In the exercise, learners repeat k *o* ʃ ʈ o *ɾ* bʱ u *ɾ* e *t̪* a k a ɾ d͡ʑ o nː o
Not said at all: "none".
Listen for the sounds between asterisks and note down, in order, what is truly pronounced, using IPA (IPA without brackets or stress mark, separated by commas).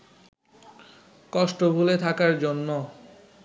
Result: ɔ, none, l, t̪ʰ